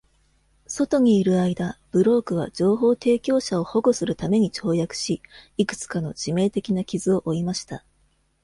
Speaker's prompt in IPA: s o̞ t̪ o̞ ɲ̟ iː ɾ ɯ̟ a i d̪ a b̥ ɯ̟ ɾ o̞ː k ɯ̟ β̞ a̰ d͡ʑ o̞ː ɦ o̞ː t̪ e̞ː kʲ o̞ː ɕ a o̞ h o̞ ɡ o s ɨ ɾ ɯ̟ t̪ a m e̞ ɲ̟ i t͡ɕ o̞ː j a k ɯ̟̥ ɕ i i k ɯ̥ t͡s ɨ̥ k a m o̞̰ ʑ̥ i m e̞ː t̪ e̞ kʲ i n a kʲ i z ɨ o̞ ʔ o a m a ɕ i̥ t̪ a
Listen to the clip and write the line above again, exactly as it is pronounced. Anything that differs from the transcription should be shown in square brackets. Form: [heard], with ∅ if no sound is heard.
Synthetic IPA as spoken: s o̞ t̪ o̞ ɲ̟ iː ɾ ɯ̟ a i d̪ a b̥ ɯ̟ ɾ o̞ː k ɯ̟ β̞ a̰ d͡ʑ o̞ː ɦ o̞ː t̪ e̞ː kʲ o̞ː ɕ a o̞ h o̞ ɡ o s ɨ ɾ ɯ̟ t̪ a m e̞ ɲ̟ i t͡ɕ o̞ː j a k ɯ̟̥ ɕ i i k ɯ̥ t͡s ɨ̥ k a [n] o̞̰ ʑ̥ i m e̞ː t̪ e̞ kʲ i n a kʲ i z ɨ o̞ ʔ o [i] m a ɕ i̥ t̪ a